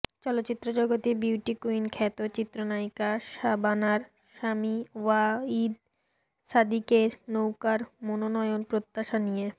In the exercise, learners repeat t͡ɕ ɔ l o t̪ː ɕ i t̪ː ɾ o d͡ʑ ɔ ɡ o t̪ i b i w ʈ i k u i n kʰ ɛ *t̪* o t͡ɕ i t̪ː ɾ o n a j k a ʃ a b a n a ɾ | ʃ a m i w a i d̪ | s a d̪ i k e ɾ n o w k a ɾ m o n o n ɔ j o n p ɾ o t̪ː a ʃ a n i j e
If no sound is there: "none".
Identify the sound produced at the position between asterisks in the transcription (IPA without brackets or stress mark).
t̪